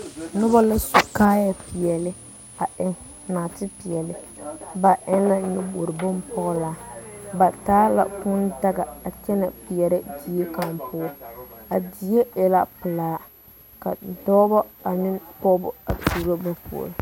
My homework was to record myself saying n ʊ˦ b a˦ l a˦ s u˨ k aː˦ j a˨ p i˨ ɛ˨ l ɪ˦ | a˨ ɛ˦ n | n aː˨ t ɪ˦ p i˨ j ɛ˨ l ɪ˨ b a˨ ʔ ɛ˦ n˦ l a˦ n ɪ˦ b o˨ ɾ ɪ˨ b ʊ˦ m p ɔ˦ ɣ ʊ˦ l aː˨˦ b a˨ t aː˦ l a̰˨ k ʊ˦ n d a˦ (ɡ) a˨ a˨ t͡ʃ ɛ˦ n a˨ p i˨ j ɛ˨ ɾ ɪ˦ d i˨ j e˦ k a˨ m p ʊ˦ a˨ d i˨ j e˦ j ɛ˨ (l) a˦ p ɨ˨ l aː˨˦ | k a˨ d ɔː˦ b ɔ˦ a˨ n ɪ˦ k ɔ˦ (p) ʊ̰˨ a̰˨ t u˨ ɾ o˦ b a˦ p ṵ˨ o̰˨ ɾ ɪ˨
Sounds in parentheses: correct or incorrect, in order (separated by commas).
correct, correct, incorrect